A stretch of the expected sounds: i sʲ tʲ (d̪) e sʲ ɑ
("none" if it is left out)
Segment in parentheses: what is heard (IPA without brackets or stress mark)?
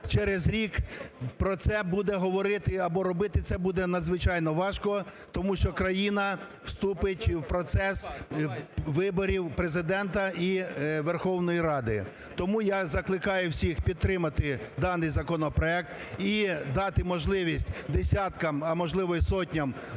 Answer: d̪